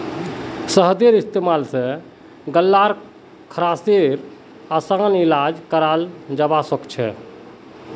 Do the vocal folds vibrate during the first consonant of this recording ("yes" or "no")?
no